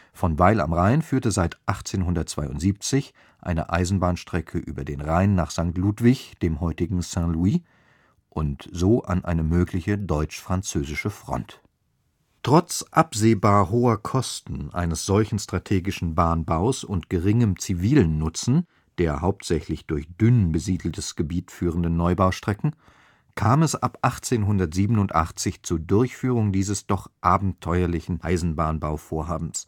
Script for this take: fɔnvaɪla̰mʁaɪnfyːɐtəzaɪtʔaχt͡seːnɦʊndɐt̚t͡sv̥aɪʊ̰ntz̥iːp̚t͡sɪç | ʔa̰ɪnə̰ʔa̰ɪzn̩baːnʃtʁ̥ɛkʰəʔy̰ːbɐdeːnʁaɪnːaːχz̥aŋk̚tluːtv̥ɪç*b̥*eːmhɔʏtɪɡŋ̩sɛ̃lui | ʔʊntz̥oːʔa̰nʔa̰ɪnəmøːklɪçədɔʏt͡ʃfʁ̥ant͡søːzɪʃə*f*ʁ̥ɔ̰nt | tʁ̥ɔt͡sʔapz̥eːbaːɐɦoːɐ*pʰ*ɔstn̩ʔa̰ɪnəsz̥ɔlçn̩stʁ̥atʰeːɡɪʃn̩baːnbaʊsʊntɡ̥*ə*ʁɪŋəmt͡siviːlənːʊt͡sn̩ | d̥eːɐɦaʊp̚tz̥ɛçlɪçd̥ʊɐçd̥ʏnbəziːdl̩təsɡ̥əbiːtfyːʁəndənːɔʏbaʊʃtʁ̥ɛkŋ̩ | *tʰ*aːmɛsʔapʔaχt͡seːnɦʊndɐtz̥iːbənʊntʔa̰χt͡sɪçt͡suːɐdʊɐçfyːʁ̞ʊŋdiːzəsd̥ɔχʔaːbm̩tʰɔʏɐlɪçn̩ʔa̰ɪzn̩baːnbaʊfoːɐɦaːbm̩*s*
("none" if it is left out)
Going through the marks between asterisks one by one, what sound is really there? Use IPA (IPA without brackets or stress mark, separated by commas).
d̥, f, kʰ, ə, kʰ, s